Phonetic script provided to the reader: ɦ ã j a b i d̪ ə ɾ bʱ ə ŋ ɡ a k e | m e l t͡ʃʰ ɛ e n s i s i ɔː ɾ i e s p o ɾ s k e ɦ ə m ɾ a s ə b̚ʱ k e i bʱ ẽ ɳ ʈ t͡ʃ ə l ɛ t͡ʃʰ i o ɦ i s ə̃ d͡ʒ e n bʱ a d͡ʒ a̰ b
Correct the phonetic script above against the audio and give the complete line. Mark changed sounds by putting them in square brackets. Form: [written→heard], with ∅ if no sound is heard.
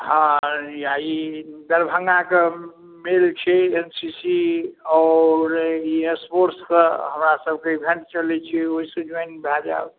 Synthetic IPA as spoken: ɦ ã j a [b→∅] i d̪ ə ɾ bʱ ə ŋ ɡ a k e | m e l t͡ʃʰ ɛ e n s i s i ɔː ɾ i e s p o ɾ s k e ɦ ə m ɾ a s ə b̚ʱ k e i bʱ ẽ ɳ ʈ t͡ʃ ə l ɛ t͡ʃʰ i o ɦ i s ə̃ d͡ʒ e n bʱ a d͡ʒ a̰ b